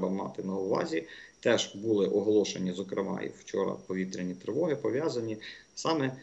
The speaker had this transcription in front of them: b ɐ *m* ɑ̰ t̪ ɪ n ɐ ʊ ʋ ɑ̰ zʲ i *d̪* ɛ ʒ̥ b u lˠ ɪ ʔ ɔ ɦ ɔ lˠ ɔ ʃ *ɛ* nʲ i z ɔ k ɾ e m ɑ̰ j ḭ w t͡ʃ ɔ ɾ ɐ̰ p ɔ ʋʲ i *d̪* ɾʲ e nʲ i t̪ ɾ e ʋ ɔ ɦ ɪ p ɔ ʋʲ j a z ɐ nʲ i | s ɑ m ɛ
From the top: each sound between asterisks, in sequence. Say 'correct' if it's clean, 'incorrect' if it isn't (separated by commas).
correct, incorrect, incorrect, incorrect